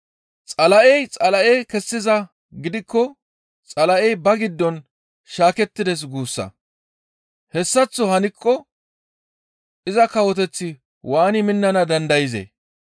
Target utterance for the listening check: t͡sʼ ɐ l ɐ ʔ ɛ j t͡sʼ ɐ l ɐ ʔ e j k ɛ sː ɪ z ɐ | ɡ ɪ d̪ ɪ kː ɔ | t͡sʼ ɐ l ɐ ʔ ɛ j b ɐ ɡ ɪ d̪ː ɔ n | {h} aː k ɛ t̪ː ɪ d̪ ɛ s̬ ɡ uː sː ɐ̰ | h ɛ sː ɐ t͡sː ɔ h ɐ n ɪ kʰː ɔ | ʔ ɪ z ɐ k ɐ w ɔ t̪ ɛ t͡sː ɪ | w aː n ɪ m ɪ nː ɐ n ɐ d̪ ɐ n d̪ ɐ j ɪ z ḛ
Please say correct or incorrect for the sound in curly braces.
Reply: incorrect